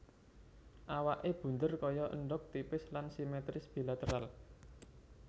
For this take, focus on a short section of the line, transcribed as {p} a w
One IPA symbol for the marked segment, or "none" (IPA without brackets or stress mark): ʔ